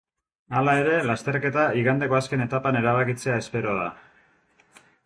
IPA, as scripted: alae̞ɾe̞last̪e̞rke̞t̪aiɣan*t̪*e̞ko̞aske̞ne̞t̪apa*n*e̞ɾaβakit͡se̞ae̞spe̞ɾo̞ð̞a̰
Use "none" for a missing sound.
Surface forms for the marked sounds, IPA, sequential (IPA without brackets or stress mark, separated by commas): d̪, n